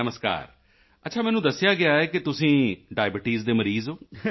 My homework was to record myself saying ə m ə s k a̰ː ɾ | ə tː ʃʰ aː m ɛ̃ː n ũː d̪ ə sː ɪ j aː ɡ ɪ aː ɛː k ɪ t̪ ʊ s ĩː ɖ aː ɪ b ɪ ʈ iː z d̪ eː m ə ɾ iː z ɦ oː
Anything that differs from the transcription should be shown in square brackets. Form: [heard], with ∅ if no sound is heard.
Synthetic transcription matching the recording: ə m ə s k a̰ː ɾ | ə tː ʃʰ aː m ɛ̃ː n ũː d̪ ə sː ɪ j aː ɡ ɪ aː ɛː k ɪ t̪ ʊ s ĩː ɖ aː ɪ b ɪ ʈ iː z d̪ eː m ə ɾ iː z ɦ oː